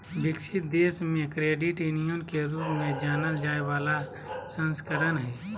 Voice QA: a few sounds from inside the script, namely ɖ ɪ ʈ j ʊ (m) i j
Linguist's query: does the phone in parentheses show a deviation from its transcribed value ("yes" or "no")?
yes